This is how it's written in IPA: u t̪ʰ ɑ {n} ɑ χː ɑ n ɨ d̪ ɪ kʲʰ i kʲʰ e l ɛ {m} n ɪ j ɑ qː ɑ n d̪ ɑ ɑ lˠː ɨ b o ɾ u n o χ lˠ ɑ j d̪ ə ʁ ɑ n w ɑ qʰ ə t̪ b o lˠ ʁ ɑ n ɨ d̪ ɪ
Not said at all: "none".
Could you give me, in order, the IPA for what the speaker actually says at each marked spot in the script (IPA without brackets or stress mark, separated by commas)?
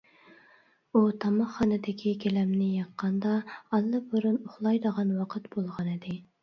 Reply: m, m